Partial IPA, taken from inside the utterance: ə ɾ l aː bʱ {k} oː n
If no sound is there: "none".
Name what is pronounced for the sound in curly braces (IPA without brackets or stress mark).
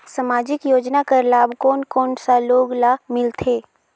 k